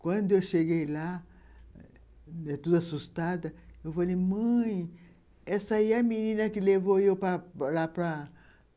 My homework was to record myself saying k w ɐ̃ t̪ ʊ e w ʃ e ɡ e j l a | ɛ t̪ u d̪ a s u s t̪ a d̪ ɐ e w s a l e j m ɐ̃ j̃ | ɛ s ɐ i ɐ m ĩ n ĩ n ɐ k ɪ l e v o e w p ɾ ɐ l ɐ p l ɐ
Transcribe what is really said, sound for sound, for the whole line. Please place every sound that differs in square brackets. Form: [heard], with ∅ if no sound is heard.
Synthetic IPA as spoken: k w ɐ̃ [d̪] ʊ e w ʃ e ɡ e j l a | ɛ t̪ u d̪ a s u s t̪ a d̪ ɐ e w [f] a l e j m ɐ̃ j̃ | ɛ s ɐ i ɐ m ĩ n ĩ n ɐ k ɪ l e v o e w p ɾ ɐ l [a] p [ɾ] ɐ